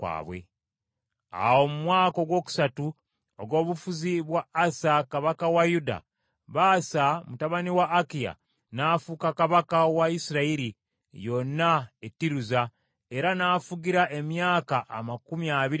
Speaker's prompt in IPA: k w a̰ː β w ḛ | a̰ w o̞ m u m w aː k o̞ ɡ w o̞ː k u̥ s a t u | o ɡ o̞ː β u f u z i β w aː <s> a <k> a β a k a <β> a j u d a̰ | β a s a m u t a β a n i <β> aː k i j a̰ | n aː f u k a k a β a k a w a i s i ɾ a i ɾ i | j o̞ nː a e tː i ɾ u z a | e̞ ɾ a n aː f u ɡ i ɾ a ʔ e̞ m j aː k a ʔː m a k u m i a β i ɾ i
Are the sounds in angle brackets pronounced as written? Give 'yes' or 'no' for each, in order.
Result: yes, yes, no, no

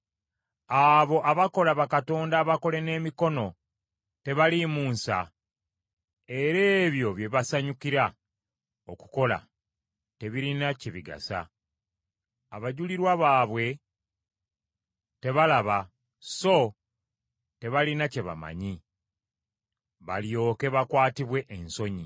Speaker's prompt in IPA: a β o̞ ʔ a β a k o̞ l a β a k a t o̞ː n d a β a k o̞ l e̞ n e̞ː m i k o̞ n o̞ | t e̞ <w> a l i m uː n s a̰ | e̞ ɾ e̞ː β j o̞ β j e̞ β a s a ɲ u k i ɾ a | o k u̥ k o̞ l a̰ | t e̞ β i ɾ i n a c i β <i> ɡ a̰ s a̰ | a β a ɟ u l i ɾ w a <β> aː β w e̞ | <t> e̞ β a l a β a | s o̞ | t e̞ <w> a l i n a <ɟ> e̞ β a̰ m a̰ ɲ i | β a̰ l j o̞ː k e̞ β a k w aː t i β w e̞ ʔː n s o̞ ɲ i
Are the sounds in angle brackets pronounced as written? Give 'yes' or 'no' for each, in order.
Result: no, yes, yes, yes, no, no

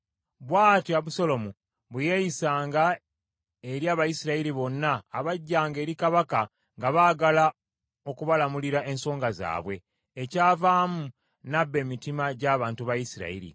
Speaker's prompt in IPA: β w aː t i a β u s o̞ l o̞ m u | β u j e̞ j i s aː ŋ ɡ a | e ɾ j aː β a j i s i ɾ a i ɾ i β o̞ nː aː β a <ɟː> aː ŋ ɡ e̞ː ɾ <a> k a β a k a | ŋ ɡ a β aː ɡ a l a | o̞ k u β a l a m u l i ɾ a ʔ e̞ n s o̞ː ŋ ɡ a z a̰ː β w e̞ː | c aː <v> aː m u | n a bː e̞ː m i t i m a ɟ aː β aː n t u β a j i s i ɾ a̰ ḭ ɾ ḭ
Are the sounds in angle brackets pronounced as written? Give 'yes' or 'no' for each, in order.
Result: yes, no, yes

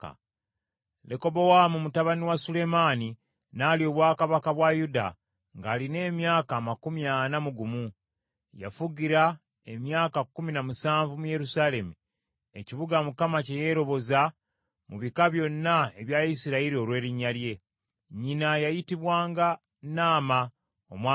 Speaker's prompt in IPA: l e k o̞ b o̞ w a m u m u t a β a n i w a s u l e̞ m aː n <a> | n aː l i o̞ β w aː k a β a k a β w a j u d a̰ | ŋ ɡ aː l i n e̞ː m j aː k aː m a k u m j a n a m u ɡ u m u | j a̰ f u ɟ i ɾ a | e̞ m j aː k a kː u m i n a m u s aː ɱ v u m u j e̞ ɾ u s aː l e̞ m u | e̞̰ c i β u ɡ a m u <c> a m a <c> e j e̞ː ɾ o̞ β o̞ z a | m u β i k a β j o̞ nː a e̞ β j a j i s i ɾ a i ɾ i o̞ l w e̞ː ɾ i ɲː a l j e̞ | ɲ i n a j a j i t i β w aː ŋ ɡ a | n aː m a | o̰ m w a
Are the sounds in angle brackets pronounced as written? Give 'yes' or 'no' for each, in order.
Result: no, no, yes

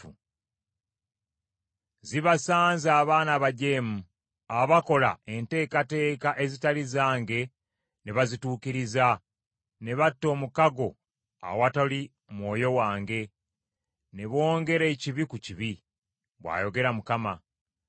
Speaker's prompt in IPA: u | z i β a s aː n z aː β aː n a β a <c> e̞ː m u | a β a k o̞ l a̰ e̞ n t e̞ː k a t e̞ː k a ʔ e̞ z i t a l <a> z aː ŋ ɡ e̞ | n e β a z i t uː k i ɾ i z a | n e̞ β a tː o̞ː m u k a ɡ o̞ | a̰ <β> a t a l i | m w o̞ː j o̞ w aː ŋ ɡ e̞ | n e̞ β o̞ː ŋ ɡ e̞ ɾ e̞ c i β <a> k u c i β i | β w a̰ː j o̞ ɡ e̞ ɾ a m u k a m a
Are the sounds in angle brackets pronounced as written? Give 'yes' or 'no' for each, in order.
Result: no, no, no, no

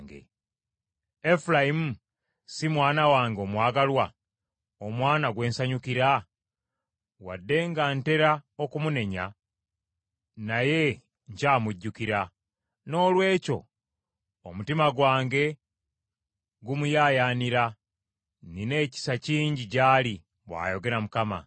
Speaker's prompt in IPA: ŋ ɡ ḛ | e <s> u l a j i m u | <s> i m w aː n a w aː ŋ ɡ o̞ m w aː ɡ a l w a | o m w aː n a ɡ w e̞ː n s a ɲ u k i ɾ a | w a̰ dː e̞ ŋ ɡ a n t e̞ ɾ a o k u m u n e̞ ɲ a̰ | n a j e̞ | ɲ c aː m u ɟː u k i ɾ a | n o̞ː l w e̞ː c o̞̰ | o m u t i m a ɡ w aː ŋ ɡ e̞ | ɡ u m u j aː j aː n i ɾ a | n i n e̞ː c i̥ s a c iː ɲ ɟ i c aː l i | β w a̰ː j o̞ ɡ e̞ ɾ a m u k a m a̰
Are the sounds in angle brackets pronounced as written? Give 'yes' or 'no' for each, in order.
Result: no, yes

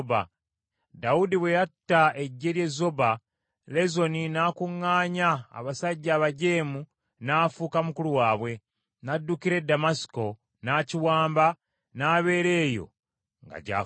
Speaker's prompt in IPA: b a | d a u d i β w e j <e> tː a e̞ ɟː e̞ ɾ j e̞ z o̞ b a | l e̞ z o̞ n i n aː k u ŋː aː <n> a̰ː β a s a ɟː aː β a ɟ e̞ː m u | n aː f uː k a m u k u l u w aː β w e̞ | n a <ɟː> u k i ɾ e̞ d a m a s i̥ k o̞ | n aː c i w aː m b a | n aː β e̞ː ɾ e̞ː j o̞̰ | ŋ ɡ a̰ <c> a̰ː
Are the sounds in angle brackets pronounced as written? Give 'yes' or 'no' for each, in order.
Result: no, no, no, no

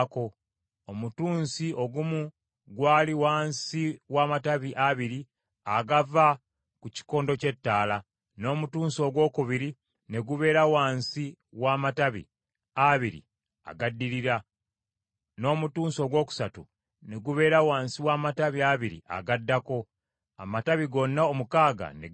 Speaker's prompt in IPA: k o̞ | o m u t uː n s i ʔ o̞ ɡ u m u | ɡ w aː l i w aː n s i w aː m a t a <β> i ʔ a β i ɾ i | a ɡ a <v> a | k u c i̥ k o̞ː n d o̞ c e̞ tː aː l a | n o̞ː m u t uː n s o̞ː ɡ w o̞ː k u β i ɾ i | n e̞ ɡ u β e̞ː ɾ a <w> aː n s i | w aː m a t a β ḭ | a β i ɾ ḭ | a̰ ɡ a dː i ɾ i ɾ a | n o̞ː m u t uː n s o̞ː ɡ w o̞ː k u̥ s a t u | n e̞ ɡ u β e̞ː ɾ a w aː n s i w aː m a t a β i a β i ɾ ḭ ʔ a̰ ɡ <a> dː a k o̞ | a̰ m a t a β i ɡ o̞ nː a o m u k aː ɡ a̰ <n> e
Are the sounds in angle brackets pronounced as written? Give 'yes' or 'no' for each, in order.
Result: yes, yes, yes, yes, yes

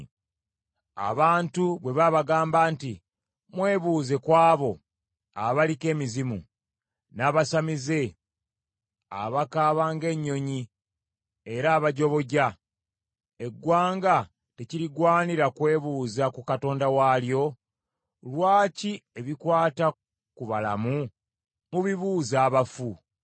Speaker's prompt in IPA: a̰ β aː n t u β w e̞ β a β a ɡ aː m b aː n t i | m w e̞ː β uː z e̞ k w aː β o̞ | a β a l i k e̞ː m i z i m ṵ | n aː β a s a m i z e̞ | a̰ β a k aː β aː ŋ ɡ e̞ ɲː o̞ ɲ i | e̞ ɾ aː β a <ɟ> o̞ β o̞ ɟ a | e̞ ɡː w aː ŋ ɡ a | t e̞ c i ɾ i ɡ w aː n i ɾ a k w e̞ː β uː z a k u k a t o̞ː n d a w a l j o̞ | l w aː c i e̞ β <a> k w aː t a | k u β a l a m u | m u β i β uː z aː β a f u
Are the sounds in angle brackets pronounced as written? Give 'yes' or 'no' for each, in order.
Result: yes, no

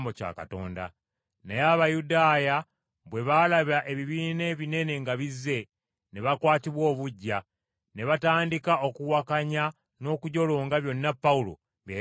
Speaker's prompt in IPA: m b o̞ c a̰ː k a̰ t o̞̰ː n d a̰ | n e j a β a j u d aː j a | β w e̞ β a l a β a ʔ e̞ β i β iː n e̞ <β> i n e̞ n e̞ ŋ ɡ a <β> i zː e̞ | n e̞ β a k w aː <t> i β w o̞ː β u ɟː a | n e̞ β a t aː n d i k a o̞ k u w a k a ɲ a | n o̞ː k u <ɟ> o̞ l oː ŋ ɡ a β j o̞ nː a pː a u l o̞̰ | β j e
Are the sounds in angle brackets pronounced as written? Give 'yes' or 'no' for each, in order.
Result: yes, yes, yes, yes

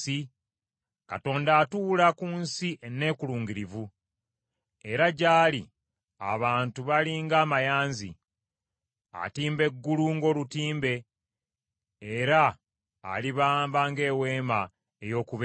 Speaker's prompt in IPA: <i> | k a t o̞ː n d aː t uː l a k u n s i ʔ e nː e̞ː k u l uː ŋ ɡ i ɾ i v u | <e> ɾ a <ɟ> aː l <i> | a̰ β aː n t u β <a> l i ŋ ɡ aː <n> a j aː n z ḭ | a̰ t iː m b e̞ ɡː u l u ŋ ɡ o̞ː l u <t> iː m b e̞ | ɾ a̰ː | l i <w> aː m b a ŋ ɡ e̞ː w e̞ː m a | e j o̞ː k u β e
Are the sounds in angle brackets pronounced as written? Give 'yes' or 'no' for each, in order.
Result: yes, yes, yes, yes, yes, no, yes, no

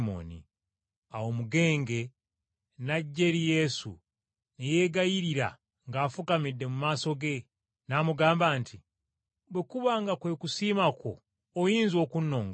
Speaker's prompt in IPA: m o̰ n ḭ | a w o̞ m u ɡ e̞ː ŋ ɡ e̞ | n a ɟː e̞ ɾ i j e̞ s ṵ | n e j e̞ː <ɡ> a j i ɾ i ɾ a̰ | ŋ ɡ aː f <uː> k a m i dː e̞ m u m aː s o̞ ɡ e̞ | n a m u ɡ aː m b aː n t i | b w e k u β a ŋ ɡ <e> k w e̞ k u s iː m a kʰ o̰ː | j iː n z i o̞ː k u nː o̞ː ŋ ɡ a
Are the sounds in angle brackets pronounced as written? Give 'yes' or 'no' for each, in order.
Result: yes, no, no

